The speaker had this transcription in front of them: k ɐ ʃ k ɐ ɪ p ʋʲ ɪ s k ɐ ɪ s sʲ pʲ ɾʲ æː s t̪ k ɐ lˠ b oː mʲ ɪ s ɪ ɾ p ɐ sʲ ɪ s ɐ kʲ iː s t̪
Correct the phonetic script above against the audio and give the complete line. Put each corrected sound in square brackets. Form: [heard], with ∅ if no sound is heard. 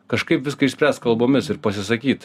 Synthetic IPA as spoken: k ɐ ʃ k ɐ ɪ p ʋʲ ɪ s k ɐ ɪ [ʃ] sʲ pʲ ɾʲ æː s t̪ k ɐ lˠ b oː mʲ ɪ s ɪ ɾ p ɐ sʲ ɪ s ɐ kʲ iː [∅] t̪

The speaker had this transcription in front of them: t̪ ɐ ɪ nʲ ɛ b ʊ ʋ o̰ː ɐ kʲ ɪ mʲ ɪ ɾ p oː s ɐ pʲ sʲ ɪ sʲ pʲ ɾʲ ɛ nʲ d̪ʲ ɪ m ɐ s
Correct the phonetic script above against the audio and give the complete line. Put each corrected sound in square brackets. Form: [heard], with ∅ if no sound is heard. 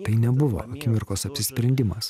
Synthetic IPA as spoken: t̪ ɐ ɪ nʲ ɛ b ʊ ʋ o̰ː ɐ kʲ ɪ mʲ ɪ ɾ [k] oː s ɐ pʲ sʲ ɪ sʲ pʲ ɾʲ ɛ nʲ d̪ʲ ɪ m ɐ s

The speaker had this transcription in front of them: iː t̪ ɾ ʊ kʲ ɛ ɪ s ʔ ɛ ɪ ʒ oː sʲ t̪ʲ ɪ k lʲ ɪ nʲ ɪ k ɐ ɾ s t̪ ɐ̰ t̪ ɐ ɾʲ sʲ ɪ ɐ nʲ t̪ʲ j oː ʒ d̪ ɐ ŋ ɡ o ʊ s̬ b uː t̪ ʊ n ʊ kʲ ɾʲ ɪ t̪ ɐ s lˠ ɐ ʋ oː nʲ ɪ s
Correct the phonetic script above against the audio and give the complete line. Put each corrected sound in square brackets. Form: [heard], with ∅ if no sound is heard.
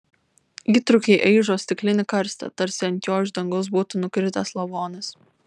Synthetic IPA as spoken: iː t̪ ɾ ʊ kʲ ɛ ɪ [∅] ʔ ɛ ɪ ʒ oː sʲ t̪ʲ ɪ k lʲ ɪ nʲ ɪ k ɐ ɾ s t̪ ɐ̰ t̪ ɐ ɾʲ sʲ ɪ ɐ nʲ t̪ʲ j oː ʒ d̪ ɐ ŋ ɡ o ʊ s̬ b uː t̪ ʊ n ʊ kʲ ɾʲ ɪ t̪ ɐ s lˠ ɐ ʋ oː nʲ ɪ s

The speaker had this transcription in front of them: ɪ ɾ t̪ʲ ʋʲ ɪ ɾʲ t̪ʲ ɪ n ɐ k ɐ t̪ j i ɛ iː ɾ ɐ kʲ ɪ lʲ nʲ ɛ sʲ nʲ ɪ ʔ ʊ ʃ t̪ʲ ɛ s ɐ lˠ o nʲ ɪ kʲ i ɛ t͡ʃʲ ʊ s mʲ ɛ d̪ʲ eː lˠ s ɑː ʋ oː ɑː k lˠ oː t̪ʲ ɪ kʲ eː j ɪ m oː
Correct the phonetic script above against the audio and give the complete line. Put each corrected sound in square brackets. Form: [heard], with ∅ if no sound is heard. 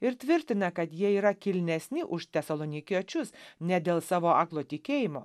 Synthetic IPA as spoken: ɪ ɾ t̪ʲ ʋʲ ɪ ɾʲ t̪ʲ ɪ n ɐ k ɐ t̪ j i ɛ iː ɾ ɐ kʲ ɪ lʲ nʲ ɛ sʲ nʲ ɪ ʔ ʊ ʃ t̪ʲ ɛ s ɐ lˠ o nʲ ɪ kʲ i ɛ t͡ʃʲ ʊ s [nʲ] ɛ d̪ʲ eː lˠ s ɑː ʋ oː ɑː k lˠ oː t̪ʲ ɪ kʲ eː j ɪ m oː

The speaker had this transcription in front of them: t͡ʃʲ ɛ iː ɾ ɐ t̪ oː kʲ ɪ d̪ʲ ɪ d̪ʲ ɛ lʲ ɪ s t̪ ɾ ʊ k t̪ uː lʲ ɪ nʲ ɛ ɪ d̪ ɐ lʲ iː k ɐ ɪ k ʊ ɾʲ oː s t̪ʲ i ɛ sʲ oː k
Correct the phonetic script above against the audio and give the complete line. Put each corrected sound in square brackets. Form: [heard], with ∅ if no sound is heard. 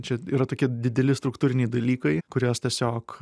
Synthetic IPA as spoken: t͡ʃʲ ɛ iː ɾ ɐ t̪ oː kʲ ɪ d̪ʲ ɪ d̪ʲ ɛ lʲ ɪ s t̪ ɾ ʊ k t̪ uː [ɾʲ] ɪ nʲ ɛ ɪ d̪ ɐ lʲ iː k ɐ ɪ k ʊ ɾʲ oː s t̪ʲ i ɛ sʲ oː k

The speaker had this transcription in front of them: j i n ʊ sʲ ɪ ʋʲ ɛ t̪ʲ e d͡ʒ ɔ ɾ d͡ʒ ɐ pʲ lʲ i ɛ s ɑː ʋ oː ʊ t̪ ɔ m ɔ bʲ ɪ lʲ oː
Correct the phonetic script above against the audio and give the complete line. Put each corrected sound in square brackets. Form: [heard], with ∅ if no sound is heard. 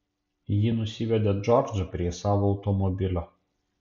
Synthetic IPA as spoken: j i n ʊ sʲ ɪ ʋʲ ɛ [d̪ʲ] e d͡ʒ ɔ ɾ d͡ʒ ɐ pʲ [ɾʲ] i ɛ s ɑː ʋ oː ʊ t̪ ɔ m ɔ bʲ ɪ lʲ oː

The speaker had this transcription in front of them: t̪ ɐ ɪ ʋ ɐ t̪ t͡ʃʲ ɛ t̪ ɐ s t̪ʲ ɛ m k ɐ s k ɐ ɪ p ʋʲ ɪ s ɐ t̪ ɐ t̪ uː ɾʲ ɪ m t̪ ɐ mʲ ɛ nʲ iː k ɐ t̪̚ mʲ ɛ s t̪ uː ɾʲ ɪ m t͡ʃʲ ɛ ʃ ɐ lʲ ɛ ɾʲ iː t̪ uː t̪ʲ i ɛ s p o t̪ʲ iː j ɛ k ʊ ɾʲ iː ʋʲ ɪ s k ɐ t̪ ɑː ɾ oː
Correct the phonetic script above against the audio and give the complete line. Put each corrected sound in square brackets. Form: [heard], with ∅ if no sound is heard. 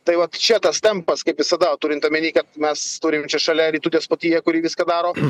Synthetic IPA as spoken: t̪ ɐ ɪ ʋ ɐ t̪ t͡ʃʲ ɛ t̪ ɐ s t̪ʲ ɛ m [p] ɐ s k ɐ ɪ p ʋʲ ɪ s ɐ [d̪] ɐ t̪ uː ɾʲ ɪ [n] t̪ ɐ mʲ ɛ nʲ iː k ɐ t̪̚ mʲ ɛ s t̪ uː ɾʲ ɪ m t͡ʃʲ ɛ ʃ ɐ lʲ ɛ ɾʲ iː t̪ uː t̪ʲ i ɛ s p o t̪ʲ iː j ɛ k ʊ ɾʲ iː ʋʲ ɪ s k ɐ [d̪] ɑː ɾ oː

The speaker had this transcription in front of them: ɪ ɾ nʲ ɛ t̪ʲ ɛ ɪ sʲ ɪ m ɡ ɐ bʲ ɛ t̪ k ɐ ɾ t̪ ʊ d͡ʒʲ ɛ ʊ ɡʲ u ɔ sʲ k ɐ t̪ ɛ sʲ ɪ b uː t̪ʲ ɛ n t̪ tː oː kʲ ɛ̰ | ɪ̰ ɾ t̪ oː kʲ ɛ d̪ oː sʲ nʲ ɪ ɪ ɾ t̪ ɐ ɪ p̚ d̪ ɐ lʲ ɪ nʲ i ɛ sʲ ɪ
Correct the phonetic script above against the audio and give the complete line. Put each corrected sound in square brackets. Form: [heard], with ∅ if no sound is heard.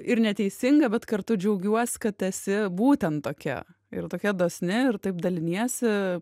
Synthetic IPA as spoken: ɪ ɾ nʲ ɛ t̪ʲ ɛ ɪ sʲ ɪ [ŋ] ɡ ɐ bʲ ɛ t̪ k ɐ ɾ t̪ ʊ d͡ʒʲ ɛ ʊ ɡʲ u ɔ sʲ k ɐ t̪ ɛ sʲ ɪ b uː t̪ʲ ɛ n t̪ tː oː kʲ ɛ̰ | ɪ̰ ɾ t̪ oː kʲ ɛ d̪ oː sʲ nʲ ɪ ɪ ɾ t̪ ɐ ɪ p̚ d̪ ɐ lʲ ɪ nʲ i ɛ sʲ ɪ

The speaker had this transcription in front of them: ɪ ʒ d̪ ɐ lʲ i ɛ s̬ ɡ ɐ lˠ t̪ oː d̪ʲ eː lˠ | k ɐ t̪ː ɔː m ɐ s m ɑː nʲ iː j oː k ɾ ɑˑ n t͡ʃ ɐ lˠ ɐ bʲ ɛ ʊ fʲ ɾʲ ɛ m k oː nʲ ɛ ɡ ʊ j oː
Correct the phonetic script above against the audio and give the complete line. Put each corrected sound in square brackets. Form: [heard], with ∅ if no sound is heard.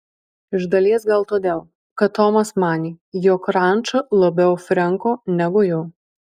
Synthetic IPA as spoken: ɪ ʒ d̪ ɐ lʲ i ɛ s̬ ɡ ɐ lˠ t̪ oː d̪ʲ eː lˠ | k ɐ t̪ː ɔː m ɐ s m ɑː nʲ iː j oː k ɾ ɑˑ n t͡ʃ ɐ lˠ ɐ bʲ ɛ ʊ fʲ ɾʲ ɛ [ŋ] k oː nʲ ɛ ɡ ʊ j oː

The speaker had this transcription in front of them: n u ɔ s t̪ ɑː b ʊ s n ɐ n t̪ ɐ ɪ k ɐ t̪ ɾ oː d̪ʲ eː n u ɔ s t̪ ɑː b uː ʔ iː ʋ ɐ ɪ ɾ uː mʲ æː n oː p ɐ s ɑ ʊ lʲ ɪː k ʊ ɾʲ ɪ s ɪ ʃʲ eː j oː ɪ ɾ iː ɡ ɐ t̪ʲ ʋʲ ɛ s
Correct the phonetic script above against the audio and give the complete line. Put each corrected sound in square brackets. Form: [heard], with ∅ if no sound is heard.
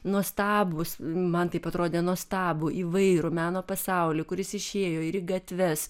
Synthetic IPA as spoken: n u ɔ s t̪ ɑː b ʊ s [m] ɐ n t̪ ɐ ɪ [p] ɐ t̪ ɾ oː d̪ʲ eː n u ɔ s t̪ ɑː b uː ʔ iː ʋ ɐ ɪ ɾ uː mʲ æː n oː p ɐ s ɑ ʊ lʲ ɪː k ʊ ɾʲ ɪ s ɪ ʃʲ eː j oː ɪ ɾ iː ɡ ɐ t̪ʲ ʋʲ ɛ s

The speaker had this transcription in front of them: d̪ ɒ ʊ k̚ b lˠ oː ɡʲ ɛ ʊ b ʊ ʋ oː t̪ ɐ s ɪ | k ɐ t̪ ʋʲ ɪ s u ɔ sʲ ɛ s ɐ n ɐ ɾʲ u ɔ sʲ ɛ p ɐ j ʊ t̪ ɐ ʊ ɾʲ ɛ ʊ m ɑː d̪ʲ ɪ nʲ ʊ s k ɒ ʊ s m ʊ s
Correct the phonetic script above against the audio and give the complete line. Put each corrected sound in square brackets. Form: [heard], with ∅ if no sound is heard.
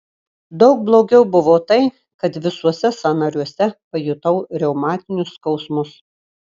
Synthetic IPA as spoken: d̪ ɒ ʊ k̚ b lˠ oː ɡʲ ɛ ʊ b ʊ ʋ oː t̪ ɐ [∅] ɪ | k ɐ t̪ ʋʲ ɪ s u ɔ sʲ ɛ s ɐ n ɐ ɾʲ u ɔ sʲ ɛ p ɐ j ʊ t̪ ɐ ʊ ɾʲ ɛ ʊ m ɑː [t̪ʲ] ɪ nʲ ʊ s k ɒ ʊ s m ʊ s

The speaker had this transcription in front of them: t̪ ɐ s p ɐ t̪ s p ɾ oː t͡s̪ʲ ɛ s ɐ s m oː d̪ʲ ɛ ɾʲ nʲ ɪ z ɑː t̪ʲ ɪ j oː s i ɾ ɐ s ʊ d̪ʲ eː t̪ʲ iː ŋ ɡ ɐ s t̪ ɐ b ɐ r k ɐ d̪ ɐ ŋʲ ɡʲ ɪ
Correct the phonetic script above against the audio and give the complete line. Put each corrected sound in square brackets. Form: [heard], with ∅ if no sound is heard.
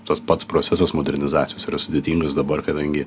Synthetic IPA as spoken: t̪ ɐ s p ɐ t̪ s p ɾ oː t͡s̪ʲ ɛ s ɐ s m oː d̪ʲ ɛ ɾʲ nʲ ɪ z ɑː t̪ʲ ɪ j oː s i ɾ ɐ s ʊ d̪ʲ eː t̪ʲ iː ŋ ɡ ɐ s [d̪] ɐ b ɐ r k ɐ d̪ ɐ ŋʲ ɡʲ ɪ

